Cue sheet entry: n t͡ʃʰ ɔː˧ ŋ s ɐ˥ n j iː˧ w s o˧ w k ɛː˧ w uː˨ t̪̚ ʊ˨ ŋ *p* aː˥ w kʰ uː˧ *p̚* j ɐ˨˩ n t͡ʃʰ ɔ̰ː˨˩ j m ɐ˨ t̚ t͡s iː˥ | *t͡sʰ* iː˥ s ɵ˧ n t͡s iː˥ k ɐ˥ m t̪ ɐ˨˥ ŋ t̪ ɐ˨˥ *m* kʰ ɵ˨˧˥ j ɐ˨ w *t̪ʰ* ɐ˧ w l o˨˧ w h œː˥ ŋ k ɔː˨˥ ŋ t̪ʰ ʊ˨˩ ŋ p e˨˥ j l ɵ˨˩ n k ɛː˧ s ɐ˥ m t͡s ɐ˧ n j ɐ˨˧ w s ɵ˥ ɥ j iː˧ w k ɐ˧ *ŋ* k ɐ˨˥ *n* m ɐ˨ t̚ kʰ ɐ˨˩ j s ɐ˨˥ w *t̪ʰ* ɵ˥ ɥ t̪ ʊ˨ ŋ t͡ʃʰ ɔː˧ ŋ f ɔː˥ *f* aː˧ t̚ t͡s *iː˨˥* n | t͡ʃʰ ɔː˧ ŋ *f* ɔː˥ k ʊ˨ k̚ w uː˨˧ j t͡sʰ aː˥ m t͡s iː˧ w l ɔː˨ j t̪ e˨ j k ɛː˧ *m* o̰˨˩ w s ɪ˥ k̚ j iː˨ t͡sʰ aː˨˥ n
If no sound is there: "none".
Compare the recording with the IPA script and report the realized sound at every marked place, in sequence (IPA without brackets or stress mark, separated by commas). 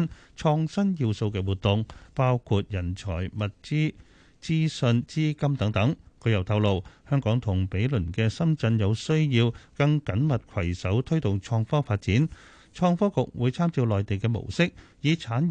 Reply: p, t̚, t͡s, ŋ, t̪ʰ, ŋ, n, t̪ʰ, f, iː˨˥, f, m